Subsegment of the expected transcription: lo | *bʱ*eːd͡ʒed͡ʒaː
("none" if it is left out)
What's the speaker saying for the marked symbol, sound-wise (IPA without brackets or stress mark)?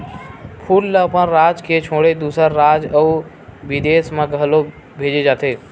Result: bʱ